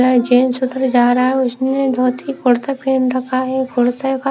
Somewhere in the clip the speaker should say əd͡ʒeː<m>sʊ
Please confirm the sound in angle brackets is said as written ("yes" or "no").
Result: no